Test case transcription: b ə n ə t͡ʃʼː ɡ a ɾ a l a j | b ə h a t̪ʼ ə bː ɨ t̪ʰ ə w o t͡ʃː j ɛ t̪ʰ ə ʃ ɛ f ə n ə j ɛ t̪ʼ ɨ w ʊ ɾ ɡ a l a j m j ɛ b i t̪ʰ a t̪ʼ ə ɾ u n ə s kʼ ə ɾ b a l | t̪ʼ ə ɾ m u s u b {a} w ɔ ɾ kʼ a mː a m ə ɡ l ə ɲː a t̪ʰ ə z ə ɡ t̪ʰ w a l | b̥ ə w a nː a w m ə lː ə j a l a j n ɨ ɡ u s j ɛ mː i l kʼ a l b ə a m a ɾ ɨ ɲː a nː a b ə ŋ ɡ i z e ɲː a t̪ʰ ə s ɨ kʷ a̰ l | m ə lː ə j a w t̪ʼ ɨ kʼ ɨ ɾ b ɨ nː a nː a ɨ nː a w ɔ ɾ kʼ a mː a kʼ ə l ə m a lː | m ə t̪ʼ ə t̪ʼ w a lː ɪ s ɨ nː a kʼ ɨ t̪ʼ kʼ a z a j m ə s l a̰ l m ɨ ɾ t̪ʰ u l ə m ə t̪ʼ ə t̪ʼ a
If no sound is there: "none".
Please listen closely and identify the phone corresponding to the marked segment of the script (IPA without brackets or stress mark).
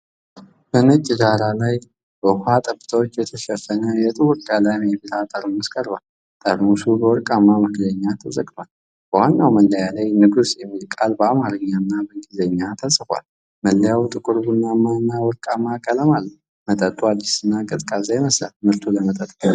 ə